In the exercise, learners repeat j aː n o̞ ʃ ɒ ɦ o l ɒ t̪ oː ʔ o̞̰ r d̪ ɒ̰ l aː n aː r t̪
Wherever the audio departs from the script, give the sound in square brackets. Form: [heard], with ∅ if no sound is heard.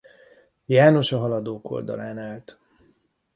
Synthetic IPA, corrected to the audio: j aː n o̞ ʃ ɒ ɦ [ɒ] l ɒ [d̪] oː [k] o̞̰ [l] d̪ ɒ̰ l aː n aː [l] t̪

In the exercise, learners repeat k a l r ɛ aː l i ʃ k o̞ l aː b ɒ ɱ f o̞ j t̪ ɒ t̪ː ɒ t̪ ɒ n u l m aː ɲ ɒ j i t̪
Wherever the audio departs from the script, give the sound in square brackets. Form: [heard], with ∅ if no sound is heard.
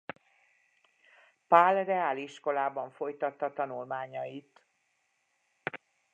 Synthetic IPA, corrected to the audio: [p] a l r ɛ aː l i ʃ k o̞ l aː b ɒ ɱ f o̞ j t̪ ɒ t̪ː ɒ t̪ ɒ n u l m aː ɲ ɒ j i t̪

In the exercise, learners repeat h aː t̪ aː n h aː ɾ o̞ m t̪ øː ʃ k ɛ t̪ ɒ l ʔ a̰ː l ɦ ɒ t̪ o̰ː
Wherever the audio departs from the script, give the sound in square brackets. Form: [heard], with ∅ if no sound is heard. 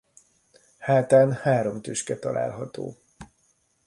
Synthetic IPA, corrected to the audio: h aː t̪ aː n h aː ɾ o̞ m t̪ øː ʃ k ɛ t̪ ɒ l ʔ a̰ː l ɦ ɒ t̪ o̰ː

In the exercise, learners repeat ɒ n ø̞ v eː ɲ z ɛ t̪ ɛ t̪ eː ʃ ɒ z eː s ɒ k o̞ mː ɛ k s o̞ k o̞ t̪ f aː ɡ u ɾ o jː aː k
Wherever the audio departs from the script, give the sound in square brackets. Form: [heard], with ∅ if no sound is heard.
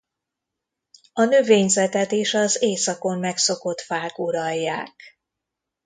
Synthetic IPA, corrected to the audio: ɒ n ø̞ v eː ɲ z ɛ t̪ ɛ t̪ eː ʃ ɒ z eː s ɒ k o̞ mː ɛ k s o̞ k o̞ t̪ f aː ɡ u ɾ [ɒ] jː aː k

